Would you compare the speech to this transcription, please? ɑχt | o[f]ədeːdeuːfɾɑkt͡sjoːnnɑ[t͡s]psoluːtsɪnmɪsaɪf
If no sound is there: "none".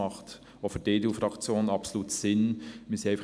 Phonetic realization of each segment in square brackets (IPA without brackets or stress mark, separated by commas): f, none